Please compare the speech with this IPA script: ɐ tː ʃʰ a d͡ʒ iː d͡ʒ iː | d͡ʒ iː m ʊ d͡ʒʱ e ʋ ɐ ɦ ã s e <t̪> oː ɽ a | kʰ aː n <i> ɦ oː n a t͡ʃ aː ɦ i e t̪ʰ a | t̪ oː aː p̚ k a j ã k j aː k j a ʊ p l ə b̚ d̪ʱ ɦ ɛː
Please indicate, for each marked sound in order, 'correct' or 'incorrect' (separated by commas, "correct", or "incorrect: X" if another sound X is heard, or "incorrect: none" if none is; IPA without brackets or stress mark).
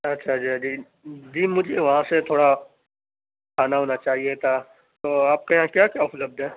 incorrect: t̪ʰ, incorrect: a